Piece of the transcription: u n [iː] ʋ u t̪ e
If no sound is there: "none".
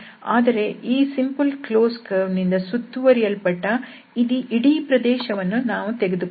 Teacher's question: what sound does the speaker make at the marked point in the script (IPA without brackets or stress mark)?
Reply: aː